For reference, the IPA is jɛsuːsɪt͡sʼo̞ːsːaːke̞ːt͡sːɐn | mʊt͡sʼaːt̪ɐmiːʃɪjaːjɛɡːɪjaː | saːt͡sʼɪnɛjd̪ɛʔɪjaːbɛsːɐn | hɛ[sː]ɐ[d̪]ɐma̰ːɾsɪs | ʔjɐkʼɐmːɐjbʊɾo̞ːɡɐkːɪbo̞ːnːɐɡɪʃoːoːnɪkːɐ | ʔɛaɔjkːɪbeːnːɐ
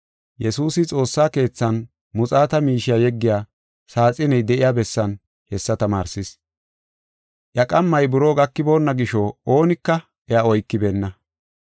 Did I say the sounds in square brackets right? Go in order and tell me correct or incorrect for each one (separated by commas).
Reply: correct, incorrect